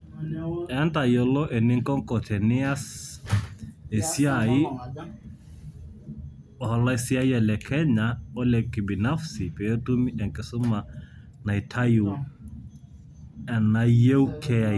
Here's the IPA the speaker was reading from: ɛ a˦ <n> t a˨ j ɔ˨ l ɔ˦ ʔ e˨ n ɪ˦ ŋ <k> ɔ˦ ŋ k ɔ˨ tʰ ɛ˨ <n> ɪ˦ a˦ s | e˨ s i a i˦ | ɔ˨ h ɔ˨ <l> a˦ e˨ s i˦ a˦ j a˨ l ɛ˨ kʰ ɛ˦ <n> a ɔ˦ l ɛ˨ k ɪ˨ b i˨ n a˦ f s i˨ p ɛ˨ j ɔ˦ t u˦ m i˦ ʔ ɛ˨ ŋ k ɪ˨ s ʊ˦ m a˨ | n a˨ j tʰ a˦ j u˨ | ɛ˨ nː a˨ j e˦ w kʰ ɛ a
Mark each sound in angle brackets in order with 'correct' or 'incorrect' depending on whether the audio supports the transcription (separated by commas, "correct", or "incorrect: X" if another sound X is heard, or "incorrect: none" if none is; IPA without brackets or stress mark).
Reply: correct, correct, correct, correct, incorrect: ɲ